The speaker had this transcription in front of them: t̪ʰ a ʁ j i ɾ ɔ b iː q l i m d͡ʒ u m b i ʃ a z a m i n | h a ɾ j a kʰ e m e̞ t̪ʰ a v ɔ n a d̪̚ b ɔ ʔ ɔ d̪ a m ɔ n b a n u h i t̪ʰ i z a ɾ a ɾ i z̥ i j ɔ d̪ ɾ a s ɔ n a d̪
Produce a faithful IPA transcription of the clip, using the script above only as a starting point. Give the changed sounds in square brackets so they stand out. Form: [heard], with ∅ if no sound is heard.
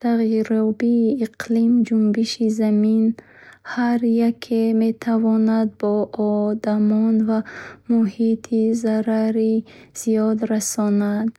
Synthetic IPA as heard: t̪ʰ a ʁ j i ɾ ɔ b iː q l i m d͡ʒ u m b i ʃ [i] z a m i n | h a ɾ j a kʰ e m e̞ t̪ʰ a v ɔ n a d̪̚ b ɔ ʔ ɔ d̪ a m ɔ n [v] a [m] u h i t̪ʰ i z a ɾ a ɾ i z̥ i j ɔ d̪ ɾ a s ɔ n a d̪